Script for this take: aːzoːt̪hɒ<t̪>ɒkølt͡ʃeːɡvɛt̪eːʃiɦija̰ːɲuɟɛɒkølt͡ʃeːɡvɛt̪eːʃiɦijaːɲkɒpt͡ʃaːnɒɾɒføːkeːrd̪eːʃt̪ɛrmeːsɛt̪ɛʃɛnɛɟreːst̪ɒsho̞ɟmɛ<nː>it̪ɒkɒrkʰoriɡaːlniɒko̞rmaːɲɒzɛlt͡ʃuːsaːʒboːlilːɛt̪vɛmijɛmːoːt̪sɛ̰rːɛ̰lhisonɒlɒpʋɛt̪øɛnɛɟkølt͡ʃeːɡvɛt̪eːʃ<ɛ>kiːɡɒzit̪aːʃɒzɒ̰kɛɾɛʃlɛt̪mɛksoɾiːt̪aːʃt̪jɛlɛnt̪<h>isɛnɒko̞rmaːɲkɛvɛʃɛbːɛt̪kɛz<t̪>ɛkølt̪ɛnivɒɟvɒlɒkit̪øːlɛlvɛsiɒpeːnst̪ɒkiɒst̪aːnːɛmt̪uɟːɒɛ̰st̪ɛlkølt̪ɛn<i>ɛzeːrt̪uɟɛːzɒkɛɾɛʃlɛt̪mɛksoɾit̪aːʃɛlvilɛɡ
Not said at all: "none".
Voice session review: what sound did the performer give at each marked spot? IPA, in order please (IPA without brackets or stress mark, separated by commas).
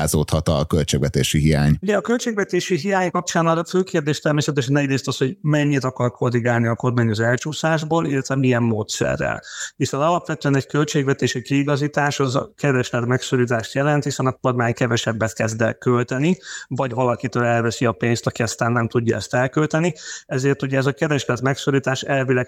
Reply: t̪, ɲː, i, h, d̪, i